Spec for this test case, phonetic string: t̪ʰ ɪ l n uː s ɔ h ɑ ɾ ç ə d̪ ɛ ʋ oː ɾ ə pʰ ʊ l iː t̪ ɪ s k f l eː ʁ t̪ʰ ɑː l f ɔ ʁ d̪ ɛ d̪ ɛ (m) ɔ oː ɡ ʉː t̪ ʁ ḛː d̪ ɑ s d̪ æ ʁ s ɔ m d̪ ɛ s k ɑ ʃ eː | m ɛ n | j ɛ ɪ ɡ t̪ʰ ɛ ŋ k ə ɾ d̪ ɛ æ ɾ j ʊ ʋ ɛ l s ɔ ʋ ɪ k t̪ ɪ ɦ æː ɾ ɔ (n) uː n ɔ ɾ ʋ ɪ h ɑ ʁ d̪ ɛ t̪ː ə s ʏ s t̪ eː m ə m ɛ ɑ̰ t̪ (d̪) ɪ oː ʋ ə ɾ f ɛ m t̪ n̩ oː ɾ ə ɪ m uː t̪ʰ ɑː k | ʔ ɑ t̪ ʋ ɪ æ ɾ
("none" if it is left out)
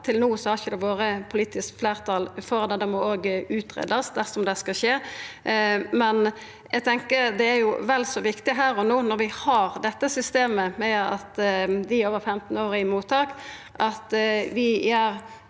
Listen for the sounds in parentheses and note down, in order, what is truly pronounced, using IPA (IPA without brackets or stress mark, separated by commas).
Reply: m, n, d̪